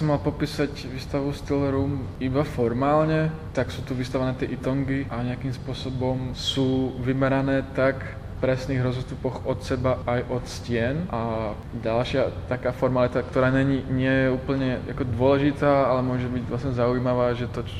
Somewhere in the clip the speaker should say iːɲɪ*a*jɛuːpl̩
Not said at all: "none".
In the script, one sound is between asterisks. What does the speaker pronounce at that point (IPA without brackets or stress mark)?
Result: ɛ